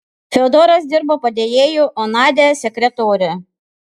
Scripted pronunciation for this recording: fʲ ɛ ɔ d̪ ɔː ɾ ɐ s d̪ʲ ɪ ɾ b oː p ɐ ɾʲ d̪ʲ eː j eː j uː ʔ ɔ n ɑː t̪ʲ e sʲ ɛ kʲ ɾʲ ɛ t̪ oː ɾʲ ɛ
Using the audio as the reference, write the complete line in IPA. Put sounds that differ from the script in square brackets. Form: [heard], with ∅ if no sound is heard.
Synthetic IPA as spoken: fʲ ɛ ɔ d̪ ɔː ɾ ɐ s d̪ʲ ɪ ɾ b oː p ɐ [∅] d̪ʲ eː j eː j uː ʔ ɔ n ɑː [d̪ʲ] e sʲ ɛ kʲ ɾʲ ɛ t̪ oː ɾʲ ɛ